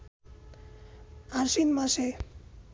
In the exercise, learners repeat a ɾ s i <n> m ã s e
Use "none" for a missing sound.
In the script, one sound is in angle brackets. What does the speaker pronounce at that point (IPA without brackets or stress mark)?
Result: n